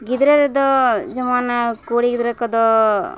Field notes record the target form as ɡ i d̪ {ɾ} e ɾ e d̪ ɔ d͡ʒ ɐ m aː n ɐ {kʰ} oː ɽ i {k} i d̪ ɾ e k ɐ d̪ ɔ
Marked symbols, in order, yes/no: yes, no, no

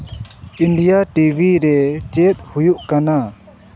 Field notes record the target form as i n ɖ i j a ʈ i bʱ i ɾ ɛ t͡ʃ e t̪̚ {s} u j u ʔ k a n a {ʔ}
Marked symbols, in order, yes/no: no, no

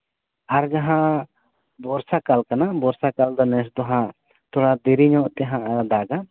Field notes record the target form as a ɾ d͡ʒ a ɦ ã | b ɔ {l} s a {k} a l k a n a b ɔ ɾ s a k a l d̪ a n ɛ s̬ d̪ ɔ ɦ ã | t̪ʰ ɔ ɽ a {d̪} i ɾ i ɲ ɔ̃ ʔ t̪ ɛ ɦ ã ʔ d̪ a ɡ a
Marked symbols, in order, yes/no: no, yes, yes

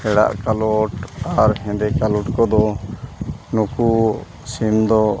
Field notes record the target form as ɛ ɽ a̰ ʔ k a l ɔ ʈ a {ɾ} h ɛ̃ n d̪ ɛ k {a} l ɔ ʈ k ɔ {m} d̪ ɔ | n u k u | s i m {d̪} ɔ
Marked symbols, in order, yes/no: yes, yes, no, yes

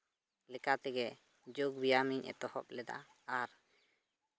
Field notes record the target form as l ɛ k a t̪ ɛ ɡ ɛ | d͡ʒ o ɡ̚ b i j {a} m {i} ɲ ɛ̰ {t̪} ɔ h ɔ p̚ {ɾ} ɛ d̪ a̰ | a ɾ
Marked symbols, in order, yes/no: yes, yes, yes, no

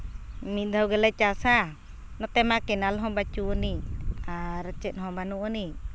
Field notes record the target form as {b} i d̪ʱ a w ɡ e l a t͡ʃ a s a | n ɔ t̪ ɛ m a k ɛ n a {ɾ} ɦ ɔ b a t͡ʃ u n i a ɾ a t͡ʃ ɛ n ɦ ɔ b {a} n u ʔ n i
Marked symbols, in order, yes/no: no, no, yes

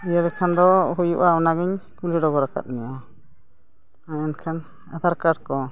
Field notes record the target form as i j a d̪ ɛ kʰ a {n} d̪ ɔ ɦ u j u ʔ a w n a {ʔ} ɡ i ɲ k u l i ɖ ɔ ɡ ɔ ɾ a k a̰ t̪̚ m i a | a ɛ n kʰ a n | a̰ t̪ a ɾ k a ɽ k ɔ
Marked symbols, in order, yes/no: yes, no

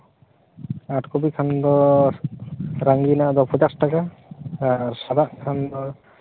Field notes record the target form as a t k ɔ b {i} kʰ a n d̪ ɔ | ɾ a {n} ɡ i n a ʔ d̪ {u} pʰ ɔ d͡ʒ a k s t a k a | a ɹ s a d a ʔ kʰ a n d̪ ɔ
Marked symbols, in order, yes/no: yes, no, no

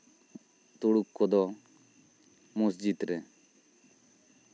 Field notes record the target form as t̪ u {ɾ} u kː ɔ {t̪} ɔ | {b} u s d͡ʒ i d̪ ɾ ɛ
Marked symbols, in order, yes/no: no, no, no

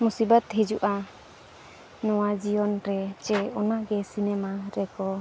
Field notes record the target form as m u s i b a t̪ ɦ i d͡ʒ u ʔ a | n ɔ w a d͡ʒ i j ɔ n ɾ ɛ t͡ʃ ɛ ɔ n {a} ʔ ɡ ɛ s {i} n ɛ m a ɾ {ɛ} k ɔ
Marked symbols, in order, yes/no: yes, yes, yes

